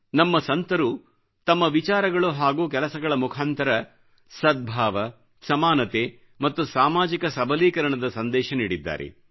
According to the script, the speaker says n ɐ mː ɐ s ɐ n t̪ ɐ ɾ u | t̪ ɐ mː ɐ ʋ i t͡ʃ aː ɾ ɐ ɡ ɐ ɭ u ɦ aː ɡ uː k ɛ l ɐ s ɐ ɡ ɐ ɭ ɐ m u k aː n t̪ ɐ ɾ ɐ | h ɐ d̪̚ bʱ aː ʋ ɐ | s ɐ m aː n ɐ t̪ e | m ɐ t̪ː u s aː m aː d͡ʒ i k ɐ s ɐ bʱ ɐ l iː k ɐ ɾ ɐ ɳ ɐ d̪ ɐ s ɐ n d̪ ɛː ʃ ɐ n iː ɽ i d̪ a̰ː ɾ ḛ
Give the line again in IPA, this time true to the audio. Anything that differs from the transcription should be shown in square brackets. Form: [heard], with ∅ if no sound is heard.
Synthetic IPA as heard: n ɐ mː ɐ s ɐ n t̪ ɐ ɾ u | t̪ ɐ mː ɐ ʋ i t͡ʃ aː ɾ ɐ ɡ ɐ ɭ u ɦ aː ɡ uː k ɛ l ɐ s ɐ ɡ ɐ ɭ ɐ m u [kʰ] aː n t̪ ɐ ɾ ɐ | [s] ɐ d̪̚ bʱ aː ʋ ɐ | s ɐ m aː n ɐ t̪ e | m ɐ t̪ː u s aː m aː d͡ʒ i k ɐ s ɐ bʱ ɐ l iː k ɐ ɾ ɐ ɳ ɐ d̪ ɐ s ɐ n d̪ ɛː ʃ ɐ n iː ɽ i [d̪ː] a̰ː ɾ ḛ